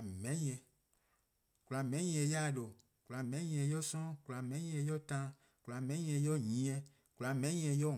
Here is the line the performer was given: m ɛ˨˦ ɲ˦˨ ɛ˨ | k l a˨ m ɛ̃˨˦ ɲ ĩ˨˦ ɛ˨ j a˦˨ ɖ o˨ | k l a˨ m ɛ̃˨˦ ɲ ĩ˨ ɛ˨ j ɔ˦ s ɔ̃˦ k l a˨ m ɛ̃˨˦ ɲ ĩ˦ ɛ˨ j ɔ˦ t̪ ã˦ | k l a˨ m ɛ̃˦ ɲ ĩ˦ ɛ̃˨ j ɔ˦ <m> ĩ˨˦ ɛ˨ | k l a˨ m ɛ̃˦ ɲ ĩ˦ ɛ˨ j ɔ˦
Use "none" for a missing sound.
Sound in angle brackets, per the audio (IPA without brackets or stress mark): ɲ